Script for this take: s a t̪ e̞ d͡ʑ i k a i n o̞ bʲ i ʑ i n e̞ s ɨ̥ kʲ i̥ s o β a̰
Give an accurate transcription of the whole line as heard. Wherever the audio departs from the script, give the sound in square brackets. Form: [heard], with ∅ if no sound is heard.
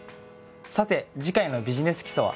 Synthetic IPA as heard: s a t̪ e̞ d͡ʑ i k a i n o̞ bʲ i ʑ i n e̞ s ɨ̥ kʲ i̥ s o β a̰

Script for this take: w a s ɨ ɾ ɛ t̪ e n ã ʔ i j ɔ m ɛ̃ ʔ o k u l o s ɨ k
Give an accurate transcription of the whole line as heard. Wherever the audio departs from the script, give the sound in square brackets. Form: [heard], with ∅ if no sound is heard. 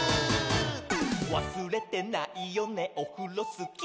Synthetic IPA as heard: w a s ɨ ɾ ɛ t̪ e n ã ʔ i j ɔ [n] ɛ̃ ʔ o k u l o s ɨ k

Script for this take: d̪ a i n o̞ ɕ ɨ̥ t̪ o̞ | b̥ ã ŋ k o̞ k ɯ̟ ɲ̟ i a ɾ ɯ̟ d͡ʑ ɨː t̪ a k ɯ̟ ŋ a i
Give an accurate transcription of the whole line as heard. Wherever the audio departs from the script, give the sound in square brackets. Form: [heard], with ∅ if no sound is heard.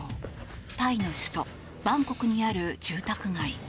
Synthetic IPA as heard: [t̪] a i n o̞ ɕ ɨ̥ t̪ o̞ | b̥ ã ŋ k o̞ k ɯ̟ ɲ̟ i a ɾ ɯ̟ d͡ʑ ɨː t̪ a k ɯ̟ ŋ a i

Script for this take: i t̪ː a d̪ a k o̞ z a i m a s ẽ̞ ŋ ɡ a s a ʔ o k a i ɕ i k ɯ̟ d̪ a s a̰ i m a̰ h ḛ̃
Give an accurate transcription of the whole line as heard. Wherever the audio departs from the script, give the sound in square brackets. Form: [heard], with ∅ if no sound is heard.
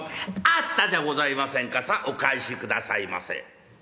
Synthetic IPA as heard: [a] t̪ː a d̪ a [ɡ] o̞ z a i m a s ẽ̞ ŋ [k] a s a ʔ o k a i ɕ i k ɯ̟ d̪ a s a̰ i m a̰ [s] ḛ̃

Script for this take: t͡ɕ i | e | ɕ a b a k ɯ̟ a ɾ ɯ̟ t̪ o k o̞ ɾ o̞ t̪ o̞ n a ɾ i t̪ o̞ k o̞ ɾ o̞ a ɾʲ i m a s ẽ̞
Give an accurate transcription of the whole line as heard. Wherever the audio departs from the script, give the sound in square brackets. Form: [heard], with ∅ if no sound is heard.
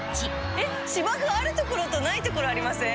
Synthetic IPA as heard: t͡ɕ i | e | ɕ [i] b a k ɯ̟ a ɾ ɯ̟ t̪ o k o̞ ɾ o̞ t̪ o̞ n a [∅] i t̪ o̞ k o̞ ɾ o̞ a ɾʲ i m a s ẽ̞

